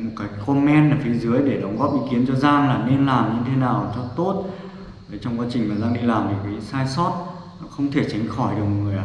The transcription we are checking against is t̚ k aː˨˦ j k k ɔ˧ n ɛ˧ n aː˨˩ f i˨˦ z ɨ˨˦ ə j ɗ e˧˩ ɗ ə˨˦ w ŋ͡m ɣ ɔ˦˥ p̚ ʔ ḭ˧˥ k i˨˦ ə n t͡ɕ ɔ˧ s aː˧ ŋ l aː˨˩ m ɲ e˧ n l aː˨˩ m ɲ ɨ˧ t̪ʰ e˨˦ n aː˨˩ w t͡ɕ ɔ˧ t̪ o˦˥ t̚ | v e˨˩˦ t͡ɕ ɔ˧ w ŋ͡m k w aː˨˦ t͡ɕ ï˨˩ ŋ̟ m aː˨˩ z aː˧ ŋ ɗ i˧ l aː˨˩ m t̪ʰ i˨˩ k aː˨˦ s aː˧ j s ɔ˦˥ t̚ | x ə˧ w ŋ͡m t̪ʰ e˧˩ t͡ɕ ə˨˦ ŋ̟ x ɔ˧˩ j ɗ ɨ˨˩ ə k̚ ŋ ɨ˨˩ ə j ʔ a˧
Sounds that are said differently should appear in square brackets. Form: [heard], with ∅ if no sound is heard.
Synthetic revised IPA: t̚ k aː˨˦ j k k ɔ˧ [m] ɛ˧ n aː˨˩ f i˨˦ z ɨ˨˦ ə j ɗ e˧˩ ɗ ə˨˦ w ŋ͡m ɣ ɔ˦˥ p̚ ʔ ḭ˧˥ k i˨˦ ə n t͡ɕ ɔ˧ [z] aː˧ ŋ l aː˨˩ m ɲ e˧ n l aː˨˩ m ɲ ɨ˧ t̪ʰ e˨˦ n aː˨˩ w t͡ɕ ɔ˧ t̪ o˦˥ t̚ | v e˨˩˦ t͡ɕ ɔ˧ w ŋ͡m k w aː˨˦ t͡ɕ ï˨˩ ŋ̟ m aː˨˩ z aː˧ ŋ ɗ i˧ l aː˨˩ m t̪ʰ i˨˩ k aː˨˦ s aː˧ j s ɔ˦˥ t̚ | x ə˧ w ŋ͡m t̪ʰ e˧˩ t͡ɕ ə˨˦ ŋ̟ x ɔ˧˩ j ɗ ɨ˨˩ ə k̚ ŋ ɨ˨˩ ə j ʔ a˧